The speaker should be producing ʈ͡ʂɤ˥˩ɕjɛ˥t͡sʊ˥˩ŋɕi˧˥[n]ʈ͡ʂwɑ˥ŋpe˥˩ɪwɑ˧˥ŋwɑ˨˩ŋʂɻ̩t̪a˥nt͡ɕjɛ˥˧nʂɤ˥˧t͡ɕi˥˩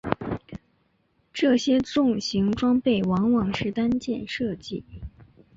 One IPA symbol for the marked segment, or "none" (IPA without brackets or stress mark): ŋ